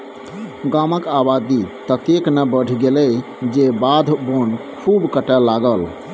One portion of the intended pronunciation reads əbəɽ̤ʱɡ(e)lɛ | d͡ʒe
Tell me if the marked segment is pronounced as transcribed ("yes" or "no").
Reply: yes